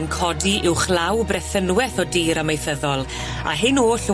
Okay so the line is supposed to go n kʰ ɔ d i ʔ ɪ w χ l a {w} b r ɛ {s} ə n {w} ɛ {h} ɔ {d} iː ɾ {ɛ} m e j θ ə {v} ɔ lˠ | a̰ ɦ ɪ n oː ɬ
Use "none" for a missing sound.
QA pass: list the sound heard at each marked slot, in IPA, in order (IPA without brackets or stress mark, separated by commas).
w, θ, w, θ, d, a, ð